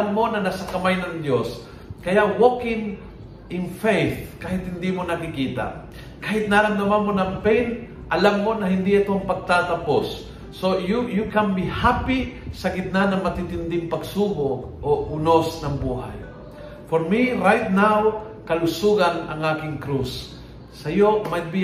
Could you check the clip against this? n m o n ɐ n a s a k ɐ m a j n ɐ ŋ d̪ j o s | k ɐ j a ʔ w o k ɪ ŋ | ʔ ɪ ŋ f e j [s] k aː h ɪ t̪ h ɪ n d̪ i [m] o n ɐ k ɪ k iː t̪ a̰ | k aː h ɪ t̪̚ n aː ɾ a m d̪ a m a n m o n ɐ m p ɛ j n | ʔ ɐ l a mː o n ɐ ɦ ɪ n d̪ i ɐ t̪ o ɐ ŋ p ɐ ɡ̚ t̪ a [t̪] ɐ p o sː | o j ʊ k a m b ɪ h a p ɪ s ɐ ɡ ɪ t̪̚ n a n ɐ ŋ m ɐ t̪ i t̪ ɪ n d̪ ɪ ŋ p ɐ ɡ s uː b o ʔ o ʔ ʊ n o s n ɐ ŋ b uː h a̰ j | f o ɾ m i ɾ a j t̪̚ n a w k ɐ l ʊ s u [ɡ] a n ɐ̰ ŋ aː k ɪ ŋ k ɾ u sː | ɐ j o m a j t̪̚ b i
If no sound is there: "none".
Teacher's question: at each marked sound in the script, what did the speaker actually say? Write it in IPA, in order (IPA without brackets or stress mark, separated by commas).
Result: θ, m, t̪, ɡ